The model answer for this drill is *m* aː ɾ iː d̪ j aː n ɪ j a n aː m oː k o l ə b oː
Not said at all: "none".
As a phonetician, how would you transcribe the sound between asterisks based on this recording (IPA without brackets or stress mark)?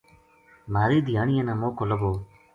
m